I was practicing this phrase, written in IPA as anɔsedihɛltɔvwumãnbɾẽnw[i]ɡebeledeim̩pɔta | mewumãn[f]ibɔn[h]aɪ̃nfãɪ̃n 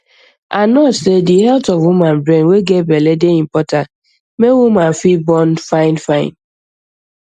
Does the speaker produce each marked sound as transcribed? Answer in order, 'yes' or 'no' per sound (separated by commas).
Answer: no, yes, no